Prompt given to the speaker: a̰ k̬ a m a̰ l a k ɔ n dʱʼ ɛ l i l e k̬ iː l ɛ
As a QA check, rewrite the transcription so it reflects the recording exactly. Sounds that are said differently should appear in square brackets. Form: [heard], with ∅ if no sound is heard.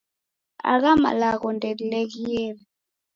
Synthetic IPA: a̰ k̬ a m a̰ l a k ɔ n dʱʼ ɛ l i l e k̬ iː l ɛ